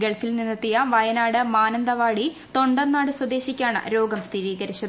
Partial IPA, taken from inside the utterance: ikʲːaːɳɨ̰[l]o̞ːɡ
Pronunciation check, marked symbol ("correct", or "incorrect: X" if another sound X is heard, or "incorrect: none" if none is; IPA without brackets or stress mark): incorrect: ɾ